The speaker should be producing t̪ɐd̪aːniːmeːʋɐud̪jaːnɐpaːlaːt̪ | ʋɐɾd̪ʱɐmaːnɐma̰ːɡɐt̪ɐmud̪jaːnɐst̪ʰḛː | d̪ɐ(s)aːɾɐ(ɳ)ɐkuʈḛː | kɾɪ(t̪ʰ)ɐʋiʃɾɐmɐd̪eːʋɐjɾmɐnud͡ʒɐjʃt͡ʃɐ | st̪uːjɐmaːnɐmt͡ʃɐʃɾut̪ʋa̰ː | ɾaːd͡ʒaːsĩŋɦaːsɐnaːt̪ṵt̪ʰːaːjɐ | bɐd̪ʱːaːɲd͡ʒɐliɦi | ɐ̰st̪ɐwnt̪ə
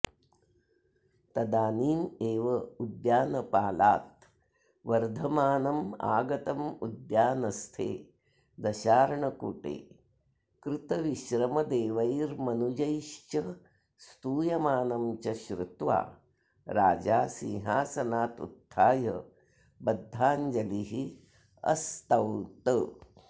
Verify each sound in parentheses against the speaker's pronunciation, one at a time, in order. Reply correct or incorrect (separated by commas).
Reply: incorrect, correct, incorrect